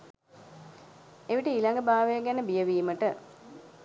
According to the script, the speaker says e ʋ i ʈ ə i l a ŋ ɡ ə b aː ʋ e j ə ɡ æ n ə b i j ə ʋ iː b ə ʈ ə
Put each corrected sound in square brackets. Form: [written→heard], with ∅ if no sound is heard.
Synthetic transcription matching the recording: e ʋ i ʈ ə i l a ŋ ɡ ə b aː ʋ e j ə ɡ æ n ə b i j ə ʋ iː [b→m] ə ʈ ə